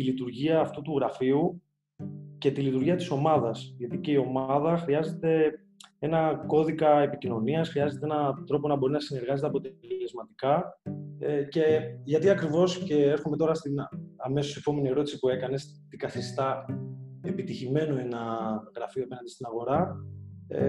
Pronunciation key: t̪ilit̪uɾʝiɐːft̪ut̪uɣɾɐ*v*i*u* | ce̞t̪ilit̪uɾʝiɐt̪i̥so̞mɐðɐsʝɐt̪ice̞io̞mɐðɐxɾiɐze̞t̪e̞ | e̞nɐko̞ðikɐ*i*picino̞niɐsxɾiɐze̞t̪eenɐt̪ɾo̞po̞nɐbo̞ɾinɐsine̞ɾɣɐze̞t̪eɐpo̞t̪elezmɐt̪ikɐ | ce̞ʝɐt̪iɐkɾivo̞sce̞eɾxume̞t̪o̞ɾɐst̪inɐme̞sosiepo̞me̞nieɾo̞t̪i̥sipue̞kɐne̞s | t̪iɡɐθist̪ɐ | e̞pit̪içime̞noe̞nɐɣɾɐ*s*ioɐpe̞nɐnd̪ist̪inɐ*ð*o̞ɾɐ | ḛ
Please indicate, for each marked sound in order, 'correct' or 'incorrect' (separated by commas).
incorrect, correct, incorrect, incorrect, incorrect